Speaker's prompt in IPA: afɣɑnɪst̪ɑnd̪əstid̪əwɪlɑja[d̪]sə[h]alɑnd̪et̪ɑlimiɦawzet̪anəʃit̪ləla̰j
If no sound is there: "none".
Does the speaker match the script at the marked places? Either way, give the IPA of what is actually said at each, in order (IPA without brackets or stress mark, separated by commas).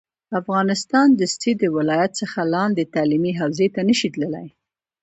t̪, x